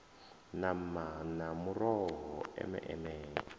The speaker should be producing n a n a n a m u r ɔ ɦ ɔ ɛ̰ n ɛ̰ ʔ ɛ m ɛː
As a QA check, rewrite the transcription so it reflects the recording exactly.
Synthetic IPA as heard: n a m a n a m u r ɔ ɦ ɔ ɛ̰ m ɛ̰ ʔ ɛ m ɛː